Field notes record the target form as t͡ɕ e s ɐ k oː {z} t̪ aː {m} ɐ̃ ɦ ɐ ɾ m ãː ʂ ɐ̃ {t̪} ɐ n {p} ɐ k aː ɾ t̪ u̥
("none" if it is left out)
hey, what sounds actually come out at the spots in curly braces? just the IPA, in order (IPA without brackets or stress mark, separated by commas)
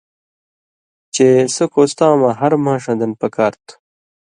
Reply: s, m, d̪, p